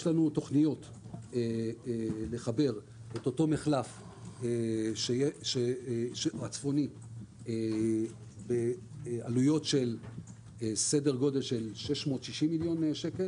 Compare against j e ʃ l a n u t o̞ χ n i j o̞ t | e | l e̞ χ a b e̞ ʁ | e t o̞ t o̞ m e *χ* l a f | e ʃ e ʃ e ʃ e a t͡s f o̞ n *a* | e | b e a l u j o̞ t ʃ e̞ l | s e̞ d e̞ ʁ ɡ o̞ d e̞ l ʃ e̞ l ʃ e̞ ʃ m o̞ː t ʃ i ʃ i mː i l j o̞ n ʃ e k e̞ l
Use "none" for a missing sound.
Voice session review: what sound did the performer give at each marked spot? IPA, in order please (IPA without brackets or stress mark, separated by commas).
χ, i